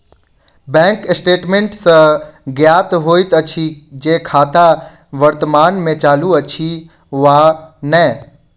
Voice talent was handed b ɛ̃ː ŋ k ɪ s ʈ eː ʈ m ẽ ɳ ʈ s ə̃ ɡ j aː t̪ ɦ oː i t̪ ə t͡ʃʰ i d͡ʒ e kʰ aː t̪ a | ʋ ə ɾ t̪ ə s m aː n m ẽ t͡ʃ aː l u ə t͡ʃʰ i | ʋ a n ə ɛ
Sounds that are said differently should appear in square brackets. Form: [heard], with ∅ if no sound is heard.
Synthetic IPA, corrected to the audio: b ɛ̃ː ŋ k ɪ s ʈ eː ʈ m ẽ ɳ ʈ s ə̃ ɡ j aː t̪ ɦ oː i t̪ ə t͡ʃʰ i d͡ʒ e kʰ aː t̪ a | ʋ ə ɾ t̪ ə [∅] m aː n m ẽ t͡ʃ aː l u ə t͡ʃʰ i | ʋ a n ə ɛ